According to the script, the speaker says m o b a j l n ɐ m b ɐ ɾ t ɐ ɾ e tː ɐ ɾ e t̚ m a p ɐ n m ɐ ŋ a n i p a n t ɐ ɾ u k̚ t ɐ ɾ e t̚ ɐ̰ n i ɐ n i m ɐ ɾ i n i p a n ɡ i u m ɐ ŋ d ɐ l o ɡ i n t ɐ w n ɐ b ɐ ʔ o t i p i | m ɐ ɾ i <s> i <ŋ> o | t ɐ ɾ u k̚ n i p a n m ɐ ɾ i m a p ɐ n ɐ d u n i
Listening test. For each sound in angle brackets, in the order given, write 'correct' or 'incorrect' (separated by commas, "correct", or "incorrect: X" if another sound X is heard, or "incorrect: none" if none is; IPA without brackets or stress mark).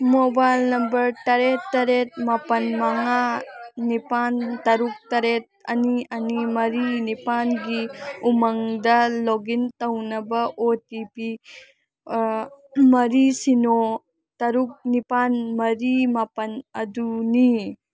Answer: correct, incorrect: n